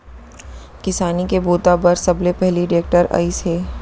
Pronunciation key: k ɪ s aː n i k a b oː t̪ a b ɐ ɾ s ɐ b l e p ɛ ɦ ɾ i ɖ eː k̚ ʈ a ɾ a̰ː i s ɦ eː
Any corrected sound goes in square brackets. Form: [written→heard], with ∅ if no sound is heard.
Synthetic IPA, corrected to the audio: k ɪ s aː n i k [a→e] b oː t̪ a b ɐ ɾ s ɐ b l e p ɛ ɦ [ɾ→l] i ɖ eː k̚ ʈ [a→ə] ɾ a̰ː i s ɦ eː